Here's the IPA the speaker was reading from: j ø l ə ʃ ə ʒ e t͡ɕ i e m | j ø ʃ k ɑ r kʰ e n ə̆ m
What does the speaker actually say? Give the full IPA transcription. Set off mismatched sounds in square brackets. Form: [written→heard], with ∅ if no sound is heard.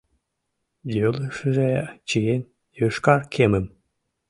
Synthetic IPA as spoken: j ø l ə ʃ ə ʒ e t͡ɕ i e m | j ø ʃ k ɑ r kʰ e [n→m] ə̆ m